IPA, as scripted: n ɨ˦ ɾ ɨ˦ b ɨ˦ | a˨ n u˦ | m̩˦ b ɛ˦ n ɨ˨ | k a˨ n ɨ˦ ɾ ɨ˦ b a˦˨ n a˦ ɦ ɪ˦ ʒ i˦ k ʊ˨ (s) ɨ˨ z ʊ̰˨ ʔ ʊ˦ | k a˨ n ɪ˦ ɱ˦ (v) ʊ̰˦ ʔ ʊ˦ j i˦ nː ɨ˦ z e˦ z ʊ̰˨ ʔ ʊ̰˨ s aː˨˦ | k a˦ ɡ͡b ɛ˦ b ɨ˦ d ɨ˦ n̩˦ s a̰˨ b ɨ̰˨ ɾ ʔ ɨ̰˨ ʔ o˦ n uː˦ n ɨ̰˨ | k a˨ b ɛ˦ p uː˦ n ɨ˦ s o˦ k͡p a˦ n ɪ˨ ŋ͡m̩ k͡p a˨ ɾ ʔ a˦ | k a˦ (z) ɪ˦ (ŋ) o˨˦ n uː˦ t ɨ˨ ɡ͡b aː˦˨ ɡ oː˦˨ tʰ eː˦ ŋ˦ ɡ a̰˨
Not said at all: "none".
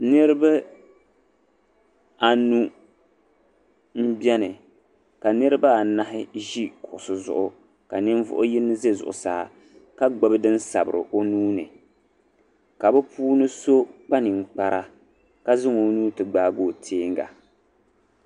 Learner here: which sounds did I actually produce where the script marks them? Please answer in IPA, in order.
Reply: s, v, z, ŋ

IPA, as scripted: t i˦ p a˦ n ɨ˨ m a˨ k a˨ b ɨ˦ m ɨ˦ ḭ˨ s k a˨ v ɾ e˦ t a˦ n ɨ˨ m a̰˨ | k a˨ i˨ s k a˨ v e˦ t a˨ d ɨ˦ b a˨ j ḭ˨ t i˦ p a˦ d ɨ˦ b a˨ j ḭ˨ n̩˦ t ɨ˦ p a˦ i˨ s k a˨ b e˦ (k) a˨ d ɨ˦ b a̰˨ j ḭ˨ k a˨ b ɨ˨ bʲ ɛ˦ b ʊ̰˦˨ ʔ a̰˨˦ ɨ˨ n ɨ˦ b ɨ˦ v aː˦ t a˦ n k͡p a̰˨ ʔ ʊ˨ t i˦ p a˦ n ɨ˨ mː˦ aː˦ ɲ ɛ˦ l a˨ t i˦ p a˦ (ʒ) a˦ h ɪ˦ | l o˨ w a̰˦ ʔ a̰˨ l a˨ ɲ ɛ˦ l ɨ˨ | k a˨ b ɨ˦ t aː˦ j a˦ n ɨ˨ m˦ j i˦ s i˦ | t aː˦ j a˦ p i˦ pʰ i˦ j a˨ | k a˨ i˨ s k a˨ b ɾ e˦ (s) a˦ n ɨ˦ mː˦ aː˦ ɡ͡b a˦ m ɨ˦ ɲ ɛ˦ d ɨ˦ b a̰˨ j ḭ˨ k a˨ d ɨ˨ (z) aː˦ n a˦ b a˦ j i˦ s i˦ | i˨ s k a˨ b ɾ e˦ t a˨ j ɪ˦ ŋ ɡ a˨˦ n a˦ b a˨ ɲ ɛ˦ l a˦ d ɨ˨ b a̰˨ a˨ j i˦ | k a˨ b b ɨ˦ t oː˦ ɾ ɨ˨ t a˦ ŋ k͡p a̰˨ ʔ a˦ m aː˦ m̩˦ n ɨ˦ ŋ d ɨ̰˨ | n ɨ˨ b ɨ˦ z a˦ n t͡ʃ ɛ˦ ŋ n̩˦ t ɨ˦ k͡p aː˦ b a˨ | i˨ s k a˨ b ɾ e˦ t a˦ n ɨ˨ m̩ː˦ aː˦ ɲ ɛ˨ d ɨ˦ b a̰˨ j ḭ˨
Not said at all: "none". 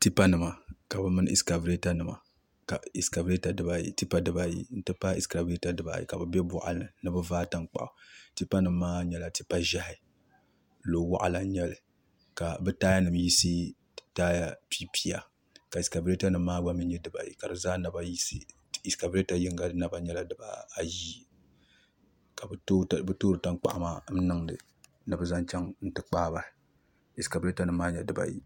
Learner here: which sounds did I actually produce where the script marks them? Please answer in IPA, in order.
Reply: t, ʒ, t, z

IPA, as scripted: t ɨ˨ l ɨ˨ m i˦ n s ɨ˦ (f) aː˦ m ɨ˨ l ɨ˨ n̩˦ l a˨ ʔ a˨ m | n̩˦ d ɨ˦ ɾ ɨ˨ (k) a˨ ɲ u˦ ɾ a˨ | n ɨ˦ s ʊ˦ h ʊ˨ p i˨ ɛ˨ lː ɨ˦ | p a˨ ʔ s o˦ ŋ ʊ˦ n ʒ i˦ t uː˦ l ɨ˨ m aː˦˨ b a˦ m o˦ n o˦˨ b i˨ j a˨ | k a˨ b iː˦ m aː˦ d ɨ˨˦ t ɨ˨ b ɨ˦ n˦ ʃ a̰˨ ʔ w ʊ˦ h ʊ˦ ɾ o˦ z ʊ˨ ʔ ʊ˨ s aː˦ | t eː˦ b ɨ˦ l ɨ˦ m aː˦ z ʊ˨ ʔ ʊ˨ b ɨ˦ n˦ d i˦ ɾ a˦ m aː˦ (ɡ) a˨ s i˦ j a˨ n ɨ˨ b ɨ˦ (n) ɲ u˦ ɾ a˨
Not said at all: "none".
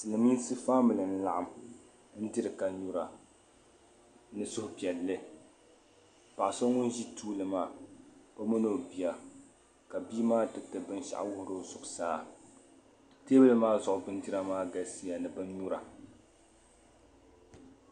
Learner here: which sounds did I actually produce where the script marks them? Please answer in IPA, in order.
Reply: f, k, ɡ, n

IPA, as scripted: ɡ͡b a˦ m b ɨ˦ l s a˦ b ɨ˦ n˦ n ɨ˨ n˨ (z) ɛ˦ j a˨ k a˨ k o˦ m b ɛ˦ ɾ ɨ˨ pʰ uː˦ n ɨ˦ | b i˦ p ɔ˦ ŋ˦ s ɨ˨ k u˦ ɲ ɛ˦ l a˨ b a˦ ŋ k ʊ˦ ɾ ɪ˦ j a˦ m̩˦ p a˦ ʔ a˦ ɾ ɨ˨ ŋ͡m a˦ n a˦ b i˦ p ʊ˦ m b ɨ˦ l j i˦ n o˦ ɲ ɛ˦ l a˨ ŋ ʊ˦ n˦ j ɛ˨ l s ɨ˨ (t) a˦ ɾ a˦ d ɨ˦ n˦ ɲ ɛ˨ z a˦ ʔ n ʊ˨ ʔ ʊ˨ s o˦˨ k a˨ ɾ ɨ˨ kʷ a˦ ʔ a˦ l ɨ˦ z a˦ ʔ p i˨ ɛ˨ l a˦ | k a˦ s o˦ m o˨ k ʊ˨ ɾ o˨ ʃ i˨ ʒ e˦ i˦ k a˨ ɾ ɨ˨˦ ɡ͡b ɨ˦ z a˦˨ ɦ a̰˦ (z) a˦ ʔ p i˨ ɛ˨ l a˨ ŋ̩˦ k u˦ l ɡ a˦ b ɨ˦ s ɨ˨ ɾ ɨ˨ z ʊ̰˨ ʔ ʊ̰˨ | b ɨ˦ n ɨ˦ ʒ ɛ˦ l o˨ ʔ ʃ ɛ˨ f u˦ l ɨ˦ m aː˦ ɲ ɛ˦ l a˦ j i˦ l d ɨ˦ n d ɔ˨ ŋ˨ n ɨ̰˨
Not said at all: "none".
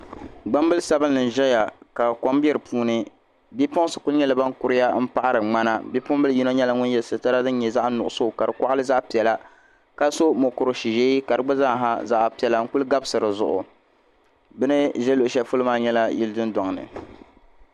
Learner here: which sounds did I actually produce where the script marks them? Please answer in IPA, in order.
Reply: ʒ, t, z

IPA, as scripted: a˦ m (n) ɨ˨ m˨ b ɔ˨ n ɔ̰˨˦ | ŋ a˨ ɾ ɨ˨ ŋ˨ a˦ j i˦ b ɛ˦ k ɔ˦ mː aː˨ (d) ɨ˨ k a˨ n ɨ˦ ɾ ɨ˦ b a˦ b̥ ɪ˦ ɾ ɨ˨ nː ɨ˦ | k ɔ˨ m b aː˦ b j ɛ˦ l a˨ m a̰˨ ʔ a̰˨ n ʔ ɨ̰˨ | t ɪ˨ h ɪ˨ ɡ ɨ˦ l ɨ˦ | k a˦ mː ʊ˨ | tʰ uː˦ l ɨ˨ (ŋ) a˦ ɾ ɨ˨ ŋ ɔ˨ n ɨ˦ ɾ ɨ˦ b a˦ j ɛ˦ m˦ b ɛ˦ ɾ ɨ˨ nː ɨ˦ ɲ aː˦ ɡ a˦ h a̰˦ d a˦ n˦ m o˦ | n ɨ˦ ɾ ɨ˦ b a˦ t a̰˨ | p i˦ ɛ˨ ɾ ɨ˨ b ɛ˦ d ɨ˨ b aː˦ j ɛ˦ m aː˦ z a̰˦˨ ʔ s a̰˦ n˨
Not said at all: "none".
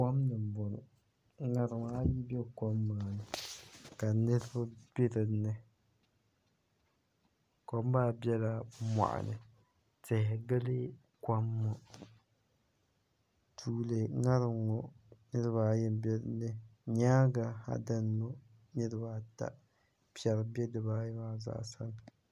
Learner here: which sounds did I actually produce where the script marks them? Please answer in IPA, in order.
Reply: n, n, ŋ

